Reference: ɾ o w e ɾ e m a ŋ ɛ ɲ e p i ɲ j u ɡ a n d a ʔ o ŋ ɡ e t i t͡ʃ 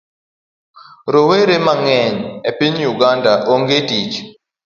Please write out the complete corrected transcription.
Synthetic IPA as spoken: ɾ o w e ɾ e m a ŋ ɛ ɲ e p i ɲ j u ɡ a n d a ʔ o ŋ ɡ e t i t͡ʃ

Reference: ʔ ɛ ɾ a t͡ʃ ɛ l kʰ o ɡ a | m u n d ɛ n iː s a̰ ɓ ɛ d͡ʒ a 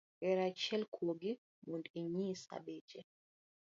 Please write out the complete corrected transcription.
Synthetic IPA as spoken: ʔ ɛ ɾ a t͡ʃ ɛ l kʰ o ɡ i | m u n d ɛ ɲ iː s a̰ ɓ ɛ d͡ʒ ɛ

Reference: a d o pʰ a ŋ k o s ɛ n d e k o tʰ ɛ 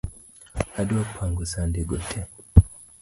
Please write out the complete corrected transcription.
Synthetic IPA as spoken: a d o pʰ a ŋ ɡ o s a n d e ɡ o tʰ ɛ

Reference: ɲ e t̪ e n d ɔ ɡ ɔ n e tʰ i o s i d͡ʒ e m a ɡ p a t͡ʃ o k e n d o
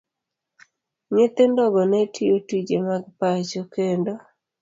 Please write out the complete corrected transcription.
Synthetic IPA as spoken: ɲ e t̪ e n d ɔ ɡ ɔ n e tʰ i o t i d͡ʒ e m a ɡ p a t͡ʃ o k e n d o

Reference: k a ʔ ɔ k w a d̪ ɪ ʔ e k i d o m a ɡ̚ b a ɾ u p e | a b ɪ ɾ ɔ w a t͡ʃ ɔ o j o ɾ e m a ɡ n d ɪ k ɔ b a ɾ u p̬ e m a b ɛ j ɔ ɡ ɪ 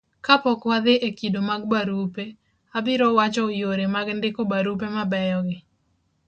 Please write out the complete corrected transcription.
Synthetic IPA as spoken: k a p ɔ k w a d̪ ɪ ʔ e k i d o m a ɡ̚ b a ɾ u p e | a b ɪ ɾ ɔ w a t͡ʃ ɔ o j o ɾ e m a ɡ n d ɪ k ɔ b a ɾ u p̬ e m a b ɛ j ɔ ɡ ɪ

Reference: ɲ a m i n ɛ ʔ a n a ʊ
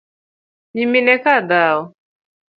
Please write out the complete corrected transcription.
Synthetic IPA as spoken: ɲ i m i n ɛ k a d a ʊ

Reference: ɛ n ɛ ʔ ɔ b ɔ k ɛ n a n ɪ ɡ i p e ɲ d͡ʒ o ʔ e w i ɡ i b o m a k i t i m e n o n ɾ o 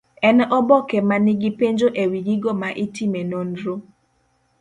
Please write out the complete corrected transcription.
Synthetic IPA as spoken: ɛ n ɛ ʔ ɔ b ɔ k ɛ m a n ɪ ɡ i p e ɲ d͡ʒ o ʔ e w i ɡ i ɡ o m a ʔ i t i m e n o n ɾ o

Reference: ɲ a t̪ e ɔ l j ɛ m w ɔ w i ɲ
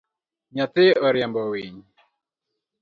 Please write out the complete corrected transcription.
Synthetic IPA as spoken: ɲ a t̪ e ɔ ɾ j a m b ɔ w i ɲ

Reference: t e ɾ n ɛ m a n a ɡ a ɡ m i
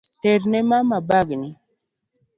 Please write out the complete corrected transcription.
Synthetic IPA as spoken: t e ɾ n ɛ m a m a b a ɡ n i

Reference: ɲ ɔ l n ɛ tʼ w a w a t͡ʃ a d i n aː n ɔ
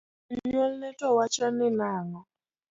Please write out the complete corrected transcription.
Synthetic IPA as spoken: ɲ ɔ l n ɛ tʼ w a w a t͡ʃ a n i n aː ŋ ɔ

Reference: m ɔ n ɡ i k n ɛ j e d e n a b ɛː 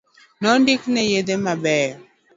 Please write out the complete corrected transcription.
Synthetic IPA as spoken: n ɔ n d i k n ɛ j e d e m a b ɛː

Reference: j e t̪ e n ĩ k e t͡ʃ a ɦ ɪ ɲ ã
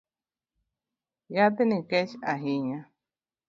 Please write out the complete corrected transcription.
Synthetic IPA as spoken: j a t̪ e n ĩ k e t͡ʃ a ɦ i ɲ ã

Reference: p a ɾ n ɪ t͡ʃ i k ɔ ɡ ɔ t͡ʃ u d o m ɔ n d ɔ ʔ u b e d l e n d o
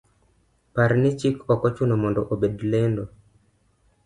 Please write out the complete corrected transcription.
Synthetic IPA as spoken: p a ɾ n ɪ t͡ʃ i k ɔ k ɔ t͡ʃ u n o m ɔ n d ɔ ʔ o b e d l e n d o

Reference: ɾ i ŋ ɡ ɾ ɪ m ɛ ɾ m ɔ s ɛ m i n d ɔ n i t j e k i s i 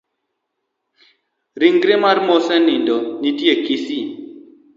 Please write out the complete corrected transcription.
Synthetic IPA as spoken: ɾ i ŋ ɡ ɾ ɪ m a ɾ m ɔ s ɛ n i n d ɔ n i t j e k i s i

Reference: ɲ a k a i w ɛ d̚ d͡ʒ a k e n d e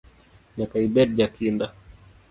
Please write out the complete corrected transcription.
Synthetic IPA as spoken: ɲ a k a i b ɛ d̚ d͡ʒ a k i n d a

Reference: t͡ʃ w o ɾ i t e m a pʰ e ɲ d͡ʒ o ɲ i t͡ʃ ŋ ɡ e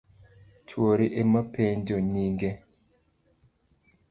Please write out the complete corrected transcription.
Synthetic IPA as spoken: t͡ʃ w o ɾ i ʔ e m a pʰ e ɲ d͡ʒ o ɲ i ŋ ɡ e

